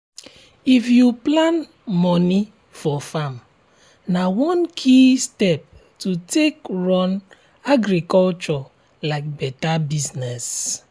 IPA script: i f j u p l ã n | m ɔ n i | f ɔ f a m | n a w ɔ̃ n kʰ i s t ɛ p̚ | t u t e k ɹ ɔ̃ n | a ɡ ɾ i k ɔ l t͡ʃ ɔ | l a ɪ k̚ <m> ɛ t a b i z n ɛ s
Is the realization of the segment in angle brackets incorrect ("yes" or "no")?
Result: yes